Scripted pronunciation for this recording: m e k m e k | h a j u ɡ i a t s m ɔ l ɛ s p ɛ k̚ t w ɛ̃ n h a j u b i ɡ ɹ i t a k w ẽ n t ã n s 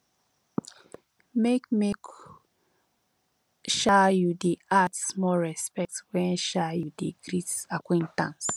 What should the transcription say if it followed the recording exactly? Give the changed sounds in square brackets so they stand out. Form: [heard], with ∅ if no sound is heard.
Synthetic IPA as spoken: m e k m e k | [ʃ] a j u [d] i a t s m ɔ [ɹ] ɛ s p ɛ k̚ t w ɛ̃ n [ʃ] a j u [d] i ɡ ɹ i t a k w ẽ n t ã n s